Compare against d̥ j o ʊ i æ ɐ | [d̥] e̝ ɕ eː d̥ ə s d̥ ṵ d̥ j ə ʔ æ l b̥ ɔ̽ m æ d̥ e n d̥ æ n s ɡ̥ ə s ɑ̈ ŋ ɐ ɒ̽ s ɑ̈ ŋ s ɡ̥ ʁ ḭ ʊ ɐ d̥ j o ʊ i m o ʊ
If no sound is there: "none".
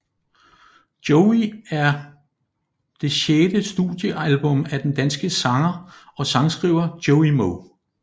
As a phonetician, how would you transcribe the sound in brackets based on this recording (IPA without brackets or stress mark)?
d̥